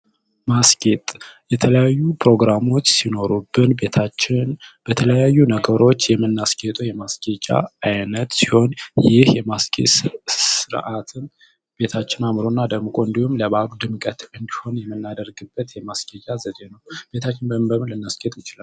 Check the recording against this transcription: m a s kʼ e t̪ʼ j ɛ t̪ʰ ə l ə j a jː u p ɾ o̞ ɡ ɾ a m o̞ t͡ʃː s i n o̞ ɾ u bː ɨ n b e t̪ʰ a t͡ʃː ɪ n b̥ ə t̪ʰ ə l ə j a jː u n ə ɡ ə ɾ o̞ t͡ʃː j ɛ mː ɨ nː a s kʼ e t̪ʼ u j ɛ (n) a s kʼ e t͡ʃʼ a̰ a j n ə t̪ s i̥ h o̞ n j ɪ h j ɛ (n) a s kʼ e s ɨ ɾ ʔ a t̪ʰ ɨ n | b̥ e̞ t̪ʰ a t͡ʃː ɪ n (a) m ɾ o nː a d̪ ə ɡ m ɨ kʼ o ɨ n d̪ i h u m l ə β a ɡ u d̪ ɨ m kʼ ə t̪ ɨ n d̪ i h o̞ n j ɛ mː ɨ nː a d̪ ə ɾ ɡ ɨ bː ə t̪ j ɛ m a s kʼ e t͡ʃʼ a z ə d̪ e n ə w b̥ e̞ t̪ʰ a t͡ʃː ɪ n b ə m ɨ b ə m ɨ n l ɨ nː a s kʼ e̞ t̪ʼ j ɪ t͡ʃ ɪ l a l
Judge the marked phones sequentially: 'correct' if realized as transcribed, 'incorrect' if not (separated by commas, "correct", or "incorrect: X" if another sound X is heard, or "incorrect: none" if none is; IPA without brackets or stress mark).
incorrect: m, incorrect: m, correct